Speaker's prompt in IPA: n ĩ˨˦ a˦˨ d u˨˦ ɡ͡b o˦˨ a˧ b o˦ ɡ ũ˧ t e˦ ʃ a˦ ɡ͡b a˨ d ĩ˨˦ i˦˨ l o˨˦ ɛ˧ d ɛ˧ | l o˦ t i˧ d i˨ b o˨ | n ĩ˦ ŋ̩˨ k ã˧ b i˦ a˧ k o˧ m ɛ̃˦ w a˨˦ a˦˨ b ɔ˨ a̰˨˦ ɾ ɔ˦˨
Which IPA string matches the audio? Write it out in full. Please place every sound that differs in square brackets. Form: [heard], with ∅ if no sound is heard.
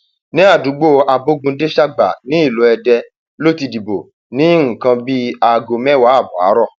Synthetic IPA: n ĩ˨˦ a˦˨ d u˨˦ ɡ͡b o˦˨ a˧ b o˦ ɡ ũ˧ [d] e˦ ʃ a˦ ɡ͡b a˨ [n] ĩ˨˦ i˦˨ l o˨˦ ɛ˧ d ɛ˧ | l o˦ t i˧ d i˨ b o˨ | n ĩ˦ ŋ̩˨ k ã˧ b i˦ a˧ [ɡ] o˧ m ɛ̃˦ w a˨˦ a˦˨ b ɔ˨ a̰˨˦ ɾ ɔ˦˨